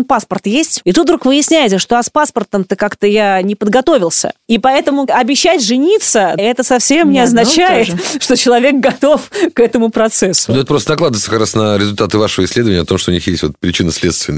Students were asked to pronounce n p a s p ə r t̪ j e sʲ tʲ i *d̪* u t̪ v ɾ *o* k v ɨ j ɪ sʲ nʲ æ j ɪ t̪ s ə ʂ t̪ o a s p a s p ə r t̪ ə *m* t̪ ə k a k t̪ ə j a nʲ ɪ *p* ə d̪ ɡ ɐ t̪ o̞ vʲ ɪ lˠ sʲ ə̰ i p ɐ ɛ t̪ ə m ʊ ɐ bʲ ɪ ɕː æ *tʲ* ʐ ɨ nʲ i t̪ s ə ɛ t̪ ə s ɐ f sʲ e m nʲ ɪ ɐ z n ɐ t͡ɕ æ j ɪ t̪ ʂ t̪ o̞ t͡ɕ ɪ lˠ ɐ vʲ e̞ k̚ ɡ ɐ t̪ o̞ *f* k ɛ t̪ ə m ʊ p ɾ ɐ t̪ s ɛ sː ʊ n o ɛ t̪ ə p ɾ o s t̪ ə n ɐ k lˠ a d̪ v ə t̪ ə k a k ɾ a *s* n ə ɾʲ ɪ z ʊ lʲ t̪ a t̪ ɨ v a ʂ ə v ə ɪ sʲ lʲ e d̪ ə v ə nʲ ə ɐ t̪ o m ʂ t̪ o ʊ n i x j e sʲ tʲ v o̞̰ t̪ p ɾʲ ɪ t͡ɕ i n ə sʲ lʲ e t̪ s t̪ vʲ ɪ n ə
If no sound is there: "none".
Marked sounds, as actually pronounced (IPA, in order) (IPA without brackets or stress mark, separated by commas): t̪, u, m, p, tʲ, f, s